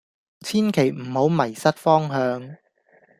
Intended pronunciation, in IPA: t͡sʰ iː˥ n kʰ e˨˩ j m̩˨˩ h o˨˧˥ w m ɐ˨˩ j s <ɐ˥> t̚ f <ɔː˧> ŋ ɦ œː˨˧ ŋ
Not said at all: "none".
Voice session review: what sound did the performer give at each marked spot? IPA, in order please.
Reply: ɐ˥, ɔː˥

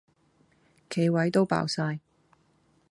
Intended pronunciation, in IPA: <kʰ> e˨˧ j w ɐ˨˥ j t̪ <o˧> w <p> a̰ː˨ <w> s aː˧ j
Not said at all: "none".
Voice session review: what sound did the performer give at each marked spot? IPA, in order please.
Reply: kʰ, o˥, p, w

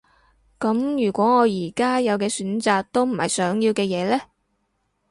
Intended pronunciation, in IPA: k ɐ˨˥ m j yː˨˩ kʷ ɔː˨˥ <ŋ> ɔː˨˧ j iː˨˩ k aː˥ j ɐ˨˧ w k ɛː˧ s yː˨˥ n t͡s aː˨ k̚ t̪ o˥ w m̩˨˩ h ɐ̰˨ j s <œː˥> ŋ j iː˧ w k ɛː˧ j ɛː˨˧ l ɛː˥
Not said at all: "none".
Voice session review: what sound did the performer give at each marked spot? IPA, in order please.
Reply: ŋ, œː˨˥

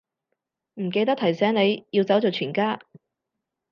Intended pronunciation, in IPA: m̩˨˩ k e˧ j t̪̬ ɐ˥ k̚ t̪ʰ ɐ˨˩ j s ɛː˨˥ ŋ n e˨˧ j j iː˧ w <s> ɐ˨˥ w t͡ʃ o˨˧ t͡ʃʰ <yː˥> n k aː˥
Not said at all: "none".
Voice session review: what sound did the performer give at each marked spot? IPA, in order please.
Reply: t͡s, yː˨˩

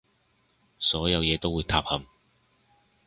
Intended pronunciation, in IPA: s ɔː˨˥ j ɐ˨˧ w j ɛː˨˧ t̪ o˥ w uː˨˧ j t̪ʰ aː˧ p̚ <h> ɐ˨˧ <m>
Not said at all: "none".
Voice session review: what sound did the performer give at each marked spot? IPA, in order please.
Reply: h, m

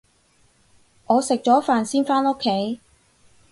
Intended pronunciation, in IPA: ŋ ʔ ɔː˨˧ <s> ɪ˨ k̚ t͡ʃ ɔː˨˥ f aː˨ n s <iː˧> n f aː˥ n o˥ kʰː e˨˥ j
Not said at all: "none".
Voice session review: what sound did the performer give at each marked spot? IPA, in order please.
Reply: s, iː˥

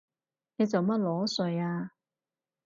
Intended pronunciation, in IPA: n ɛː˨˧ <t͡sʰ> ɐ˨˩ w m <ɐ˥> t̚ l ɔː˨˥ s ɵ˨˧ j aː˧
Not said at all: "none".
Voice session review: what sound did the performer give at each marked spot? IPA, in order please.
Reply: t͡s, ɐ˥

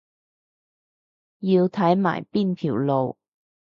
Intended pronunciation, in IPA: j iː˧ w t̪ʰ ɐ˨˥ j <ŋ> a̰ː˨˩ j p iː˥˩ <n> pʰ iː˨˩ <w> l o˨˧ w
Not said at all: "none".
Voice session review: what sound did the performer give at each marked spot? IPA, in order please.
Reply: m, n, w

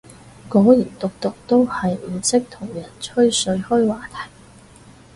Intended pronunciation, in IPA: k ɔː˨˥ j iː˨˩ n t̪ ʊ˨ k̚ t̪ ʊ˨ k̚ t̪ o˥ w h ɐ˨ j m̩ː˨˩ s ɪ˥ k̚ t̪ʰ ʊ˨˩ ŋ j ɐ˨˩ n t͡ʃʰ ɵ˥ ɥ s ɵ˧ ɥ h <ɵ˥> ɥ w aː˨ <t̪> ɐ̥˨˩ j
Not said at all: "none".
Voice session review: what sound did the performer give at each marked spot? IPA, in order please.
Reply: ɵ˥, t̪ʰ

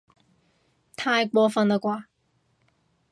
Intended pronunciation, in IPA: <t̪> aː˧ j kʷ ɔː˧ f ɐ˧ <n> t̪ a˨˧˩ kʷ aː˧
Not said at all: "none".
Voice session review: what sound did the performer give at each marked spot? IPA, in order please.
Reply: t̪ʰ, n

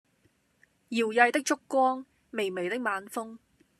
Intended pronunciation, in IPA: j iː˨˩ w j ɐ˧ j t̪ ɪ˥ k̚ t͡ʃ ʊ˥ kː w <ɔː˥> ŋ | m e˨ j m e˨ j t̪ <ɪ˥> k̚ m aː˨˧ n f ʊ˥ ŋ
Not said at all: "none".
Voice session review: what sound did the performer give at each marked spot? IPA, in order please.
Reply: ɔː˥, ɪ˥

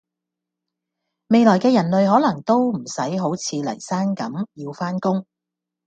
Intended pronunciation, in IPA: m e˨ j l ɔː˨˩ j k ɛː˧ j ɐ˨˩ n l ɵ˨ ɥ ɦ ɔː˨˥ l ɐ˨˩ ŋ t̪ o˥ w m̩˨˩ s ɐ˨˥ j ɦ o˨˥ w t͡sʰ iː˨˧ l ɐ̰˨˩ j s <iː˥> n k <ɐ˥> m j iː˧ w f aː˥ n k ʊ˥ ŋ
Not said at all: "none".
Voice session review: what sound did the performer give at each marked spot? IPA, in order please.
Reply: aː˥, ɐ˨˥

